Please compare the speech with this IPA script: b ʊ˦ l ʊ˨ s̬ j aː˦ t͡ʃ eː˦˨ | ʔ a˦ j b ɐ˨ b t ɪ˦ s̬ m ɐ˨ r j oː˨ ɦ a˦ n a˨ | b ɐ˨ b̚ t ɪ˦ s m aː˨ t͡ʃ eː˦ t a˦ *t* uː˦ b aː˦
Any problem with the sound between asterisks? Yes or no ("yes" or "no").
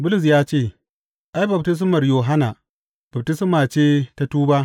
no